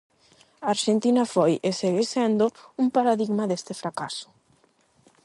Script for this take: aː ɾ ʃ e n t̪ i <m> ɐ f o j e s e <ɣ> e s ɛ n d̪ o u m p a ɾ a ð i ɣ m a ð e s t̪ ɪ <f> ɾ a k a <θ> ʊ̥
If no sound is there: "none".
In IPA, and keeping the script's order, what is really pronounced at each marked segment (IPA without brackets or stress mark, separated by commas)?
n, ɣ, f, s